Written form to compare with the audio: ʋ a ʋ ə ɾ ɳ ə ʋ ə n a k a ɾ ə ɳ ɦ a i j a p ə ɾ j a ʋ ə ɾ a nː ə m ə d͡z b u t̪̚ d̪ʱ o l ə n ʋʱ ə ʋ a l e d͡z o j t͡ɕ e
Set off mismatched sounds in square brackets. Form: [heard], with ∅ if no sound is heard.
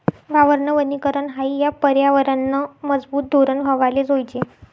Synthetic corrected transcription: ʋ a ʋ ə ɾ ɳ ə ʋ ə n [i] k [ə] ɾ ə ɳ ɦ a i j a p ə ɾ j a ʋ ə ɾ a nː ə m ə d͡z b [uː] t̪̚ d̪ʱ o [ɾ] ə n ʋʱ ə ʋ a l e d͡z o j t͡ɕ e